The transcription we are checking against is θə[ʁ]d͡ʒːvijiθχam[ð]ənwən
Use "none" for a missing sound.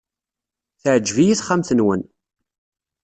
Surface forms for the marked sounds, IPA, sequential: ʕ, θ

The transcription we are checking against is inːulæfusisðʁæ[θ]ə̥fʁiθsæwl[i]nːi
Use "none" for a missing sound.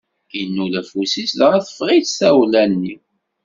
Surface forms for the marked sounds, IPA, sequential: θ, æ

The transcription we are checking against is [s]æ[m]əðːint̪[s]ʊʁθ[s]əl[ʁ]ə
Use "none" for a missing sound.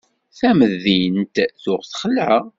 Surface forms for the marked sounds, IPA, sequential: θ, m, θ, χ, ʕ

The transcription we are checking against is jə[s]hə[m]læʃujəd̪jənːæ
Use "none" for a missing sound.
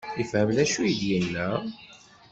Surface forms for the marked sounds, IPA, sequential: f, m

